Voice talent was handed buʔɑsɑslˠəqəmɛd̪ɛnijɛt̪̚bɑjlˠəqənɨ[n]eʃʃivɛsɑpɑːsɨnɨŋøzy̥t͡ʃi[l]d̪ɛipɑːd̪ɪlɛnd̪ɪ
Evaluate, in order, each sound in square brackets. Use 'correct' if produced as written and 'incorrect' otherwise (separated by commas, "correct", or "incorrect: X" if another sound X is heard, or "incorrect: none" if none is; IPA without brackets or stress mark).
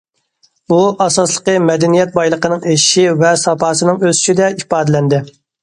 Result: incorrect: ŋ, incorrect: none